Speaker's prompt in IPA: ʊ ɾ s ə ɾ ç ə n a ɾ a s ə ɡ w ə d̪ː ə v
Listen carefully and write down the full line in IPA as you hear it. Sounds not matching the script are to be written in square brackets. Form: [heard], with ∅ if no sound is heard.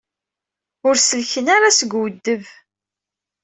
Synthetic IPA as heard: ʊ ɾ s ə [l] ç ə n a ɾ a s ə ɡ w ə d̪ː ə v